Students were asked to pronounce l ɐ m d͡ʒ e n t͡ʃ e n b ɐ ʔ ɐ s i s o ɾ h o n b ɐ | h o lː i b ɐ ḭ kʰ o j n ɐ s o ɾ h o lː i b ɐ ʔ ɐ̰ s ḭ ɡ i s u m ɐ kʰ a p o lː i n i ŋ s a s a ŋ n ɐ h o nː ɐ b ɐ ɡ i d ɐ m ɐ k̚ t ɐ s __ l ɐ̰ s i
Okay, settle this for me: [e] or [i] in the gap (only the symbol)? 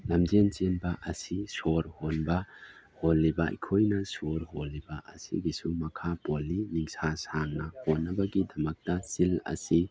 i